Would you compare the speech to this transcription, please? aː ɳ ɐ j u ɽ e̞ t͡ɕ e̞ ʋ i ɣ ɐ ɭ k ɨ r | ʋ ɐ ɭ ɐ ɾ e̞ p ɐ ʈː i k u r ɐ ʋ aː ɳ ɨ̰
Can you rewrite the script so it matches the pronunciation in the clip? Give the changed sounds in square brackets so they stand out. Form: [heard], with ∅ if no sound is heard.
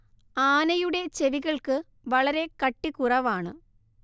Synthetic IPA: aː [n] ɐ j u ɽ e̞ t͡ɕ e̞ ʋ i ɣ ɐ ɭ k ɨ [∅] | ʋ ɐ ɭ ɐ ɾ e̞ [k] ɐ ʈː i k u r ɐ ʋ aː ɳ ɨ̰